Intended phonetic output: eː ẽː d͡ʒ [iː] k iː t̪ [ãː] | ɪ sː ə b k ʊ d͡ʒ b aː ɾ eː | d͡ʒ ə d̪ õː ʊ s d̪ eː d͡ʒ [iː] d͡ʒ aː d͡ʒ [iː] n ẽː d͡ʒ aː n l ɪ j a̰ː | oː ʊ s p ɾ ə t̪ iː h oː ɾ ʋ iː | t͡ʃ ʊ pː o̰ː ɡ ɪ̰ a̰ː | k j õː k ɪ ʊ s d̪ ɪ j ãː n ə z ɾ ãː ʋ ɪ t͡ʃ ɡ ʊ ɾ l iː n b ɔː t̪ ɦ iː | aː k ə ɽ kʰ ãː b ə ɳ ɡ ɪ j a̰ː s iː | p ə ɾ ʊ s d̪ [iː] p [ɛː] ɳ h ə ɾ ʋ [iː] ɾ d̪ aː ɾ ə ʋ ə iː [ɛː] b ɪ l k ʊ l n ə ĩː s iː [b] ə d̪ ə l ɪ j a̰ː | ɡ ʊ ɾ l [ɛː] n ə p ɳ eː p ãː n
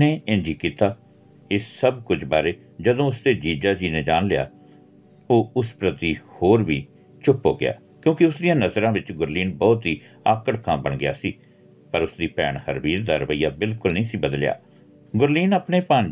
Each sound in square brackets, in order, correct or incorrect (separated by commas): correct, incorrect, correct, correct, correct, correct, correct, incorrect, correct, incorrect